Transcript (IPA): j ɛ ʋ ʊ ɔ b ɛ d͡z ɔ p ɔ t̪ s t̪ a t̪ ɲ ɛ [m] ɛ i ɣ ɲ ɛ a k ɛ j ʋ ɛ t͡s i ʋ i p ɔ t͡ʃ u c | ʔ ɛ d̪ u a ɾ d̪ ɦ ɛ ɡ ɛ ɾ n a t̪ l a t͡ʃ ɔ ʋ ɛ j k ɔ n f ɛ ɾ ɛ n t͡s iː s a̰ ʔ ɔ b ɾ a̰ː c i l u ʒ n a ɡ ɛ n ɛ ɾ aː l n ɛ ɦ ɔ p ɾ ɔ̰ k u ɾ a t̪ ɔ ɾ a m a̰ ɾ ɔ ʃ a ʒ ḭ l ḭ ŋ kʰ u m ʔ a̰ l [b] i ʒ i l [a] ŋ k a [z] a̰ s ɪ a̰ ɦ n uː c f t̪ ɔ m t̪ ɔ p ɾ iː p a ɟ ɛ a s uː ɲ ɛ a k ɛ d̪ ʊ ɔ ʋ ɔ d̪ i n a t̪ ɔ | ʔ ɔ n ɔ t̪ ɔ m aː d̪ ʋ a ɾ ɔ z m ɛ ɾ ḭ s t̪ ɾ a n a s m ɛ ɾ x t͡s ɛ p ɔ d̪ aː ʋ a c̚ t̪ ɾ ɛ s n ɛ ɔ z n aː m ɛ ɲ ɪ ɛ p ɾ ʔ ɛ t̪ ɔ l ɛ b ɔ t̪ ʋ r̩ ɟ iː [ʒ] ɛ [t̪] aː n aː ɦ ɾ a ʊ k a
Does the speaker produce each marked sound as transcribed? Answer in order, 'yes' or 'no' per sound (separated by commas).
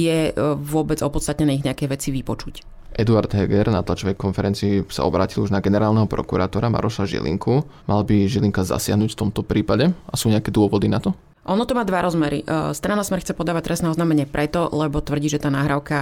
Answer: no, yes, no, yes, yes, yes